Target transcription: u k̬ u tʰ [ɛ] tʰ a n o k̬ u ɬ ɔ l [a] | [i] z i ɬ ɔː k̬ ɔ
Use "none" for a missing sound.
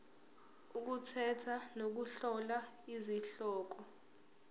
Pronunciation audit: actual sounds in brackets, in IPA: ɛ, a, i

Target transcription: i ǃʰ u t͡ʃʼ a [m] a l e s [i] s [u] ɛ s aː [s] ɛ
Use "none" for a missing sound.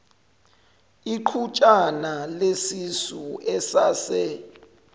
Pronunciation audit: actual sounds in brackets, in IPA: n, i, u, s

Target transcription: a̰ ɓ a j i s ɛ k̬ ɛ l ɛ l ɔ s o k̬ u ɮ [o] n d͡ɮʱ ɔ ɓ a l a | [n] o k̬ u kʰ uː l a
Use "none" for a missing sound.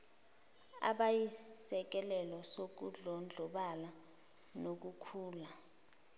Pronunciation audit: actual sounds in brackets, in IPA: ɔ, n

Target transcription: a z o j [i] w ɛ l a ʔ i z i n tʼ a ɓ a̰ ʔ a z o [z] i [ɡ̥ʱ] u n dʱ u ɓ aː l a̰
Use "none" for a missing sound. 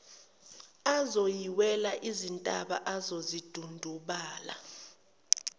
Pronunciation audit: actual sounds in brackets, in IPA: i, z, d̥ʱ

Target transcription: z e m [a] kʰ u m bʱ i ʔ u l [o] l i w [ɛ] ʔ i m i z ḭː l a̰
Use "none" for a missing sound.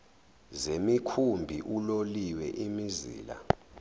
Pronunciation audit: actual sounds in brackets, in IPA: i, o, ɛ

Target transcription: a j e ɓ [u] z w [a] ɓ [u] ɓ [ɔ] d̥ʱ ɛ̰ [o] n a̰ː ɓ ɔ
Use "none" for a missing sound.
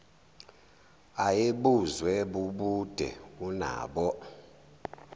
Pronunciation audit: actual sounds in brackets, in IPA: u, ɛ, u, u, u

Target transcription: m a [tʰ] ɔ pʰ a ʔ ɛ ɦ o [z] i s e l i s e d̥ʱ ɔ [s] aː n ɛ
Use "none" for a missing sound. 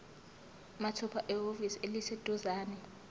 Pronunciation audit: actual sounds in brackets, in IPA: tʰ, v, z

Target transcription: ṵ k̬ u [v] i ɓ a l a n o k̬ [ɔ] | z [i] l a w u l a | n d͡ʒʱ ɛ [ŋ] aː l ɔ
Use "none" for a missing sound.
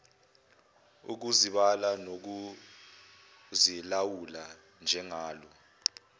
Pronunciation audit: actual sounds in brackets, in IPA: z, u, i, ŋ

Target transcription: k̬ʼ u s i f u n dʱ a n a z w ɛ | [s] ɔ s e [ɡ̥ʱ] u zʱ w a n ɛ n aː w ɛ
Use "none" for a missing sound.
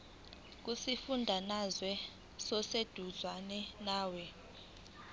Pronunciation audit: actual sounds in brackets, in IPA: s, d̥ʱ

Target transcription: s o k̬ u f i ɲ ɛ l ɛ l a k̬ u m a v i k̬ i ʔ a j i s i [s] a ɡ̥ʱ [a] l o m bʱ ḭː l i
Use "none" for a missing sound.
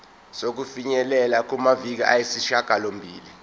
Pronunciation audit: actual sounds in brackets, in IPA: ʃ, a

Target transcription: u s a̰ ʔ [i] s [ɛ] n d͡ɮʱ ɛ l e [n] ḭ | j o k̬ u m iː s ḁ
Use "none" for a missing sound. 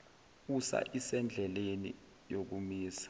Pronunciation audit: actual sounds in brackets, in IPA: i, ɛ, n

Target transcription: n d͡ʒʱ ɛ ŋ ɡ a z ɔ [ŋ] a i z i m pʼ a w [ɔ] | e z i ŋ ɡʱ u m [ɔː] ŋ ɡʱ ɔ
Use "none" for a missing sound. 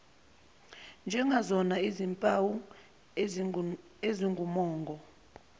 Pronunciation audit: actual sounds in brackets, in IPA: n, u, ɔː

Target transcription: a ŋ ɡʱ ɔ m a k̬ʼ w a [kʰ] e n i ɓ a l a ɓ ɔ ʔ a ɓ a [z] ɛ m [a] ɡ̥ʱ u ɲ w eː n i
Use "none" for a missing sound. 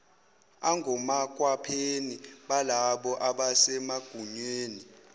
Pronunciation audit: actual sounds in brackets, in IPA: pʰ, s, a

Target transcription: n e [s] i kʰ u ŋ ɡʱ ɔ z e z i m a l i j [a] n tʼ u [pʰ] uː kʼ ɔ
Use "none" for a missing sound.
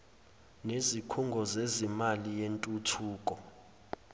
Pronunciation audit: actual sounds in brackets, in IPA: z, e, tʰ

